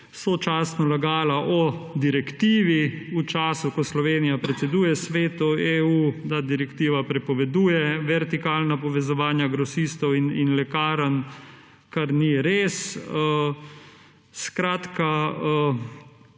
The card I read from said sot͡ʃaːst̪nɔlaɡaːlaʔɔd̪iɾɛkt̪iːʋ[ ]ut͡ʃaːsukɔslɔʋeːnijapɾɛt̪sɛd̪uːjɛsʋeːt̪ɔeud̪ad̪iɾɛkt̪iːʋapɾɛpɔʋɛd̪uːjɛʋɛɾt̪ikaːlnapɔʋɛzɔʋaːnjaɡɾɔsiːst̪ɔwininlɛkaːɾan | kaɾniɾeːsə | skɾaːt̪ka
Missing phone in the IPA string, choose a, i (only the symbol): i